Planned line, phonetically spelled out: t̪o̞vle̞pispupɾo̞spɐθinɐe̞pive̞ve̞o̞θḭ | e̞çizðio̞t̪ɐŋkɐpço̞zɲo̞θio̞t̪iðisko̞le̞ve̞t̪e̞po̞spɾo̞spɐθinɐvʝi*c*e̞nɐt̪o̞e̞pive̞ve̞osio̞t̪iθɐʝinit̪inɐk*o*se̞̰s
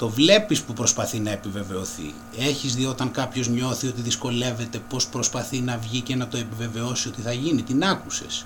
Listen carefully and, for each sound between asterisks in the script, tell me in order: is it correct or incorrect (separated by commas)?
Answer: correct, incorrect